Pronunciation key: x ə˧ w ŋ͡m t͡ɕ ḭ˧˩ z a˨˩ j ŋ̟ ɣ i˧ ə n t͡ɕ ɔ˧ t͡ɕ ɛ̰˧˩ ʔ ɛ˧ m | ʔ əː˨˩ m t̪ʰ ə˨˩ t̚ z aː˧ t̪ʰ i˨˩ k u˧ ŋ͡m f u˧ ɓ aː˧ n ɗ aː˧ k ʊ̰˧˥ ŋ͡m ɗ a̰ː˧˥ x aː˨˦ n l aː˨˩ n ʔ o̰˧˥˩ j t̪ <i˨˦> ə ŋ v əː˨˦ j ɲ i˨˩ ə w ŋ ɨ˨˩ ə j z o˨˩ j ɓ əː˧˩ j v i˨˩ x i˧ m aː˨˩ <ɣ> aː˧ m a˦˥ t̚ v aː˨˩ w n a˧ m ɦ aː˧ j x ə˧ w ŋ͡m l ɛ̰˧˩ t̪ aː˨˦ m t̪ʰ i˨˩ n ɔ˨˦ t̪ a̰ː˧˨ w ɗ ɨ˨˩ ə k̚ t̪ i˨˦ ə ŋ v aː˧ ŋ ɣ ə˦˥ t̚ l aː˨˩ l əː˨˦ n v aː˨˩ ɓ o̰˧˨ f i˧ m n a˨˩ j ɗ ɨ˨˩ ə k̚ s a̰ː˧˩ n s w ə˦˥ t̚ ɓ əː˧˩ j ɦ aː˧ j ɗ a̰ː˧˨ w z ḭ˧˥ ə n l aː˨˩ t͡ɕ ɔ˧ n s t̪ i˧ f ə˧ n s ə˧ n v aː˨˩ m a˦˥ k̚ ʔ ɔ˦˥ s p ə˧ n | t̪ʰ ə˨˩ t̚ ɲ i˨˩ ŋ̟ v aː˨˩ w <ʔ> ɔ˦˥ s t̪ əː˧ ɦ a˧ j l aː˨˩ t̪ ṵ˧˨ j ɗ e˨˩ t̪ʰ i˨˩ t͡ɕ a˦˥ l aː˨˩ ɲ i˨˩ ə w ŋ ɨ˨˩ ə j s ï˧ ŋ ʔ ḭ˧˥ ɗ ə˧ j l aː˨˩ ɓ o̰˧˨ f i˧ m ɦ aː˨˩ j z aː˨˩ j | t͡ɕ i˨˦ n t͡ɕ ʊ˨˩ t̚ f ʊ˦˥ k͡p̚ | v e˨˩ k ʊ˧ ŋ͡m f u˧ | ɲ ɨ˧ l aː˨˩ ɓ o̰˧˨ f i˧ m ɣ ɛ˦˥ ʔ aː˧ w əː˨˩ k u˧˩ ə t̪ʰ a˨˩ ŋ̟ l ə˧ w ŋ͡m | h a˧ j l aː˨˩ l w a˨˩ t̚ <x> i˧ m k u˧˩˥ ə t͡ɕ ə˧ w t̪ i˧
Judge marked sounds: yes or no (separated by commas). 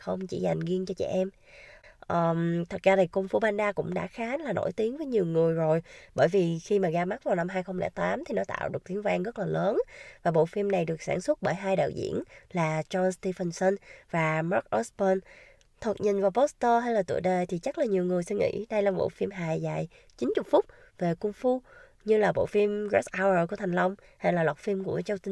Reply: yes, yes, no, no